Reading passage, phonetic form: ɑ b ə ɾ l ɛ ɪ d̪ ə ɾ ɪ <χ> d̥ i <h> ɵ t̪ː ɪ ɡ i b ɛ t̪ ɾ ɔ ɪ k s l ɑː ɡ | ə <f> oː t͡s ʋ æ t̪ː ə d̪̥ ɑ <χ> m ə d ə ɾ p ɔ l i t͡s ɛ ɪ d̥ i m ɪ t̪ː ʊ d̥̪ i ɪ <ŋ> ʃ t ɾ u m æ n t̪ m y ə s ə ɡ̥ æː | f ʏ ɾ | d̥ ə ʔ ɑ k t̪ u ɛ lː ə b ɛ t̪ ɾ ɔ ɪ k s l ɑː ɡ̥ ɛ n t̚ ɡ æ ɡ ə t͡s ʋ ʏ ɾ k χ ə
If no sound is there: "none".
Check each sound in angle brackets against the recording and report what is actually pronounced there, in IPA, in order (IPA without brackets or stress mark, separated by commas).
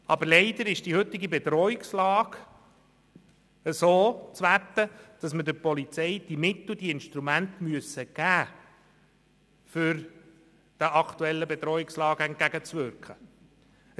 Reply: ʃ, h, s, s, n